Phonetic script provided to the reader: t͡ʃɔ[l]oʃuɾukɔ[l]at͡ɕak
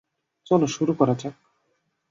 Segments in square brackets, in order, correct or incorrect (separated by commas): correct, incorrect